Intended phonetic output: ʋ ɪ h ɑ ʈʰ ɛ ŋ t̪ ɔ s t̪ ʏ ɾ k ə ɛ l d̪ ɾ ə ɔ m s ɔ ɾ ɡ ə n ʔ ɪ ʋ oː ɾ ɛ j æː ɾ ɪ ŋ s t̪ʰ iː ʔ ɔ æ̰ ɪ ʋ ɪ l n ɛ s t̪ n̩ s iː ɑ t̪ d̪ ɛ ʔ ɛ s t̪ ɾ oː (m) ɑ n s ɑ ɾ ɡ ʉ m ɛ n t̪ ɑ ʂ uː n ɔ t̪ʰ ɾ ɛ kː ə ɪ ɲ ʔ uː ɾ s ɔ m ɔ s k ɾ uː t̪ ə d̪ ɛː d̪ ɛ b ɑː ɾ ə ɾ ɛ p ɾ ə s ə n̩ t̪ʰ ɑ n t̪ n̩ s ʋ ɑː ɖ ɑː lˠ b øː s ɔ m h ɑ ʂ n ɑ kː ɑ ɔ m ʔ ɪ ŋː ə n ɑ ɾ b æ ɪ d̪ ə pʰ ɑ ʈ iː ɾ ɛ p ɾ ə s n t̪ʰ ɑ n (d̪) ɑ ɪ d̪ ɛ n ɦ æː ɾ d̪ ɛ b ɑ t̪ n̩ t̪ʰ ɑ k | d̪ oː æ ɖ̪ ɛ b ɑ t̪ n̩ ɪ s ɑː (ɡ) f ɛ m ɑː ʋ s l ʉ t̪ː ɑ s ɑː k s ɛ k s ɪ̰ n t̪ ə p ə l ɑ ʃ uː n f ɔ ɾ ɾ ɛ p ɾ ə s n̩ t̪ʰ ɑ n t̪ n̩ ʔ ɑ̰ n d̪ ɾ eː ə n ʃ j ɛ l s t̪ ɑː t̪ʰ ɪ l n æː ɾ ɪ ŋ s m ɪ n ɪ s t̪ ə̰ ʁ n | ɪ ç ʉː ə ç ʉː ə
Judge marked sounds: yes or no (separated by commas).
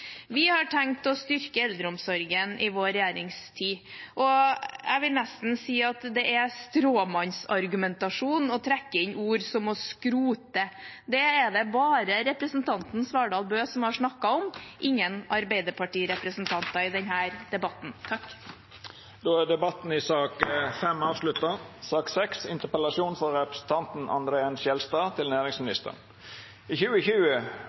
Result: yes, no, no